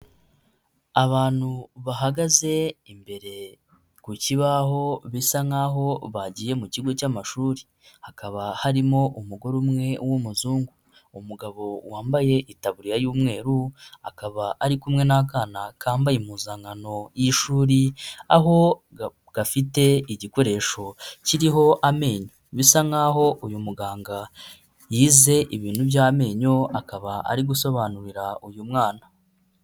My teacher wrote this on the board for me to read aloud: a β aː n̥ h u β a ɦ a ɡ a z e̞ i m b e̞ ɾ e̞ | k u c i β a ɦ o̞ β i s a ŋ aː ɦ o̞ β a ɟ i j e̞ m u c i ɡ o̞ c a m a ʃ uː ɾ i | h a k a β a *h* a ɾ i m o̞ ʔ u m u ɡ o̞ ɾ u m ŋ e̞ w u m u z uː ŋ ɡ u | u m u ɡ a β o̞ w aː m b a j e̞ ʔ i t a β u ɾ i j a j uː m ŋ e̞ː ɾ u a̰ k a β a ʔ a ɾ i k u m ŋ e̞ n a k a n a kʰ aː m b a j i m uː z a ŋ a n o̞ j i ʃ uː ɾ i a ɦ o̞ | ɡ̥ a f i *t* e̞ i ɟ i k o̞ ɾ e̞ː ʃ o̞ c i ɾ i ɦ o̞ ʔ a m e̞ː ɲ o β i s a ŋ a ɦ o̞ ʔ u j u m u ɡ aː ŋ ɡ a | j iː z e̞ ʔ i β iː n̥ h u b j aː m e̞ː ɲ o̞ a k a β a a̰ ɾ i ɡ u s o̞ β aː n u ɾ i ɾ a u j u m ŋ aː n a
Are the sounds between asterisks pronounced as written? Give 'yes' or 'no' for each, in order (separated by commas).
yes, yes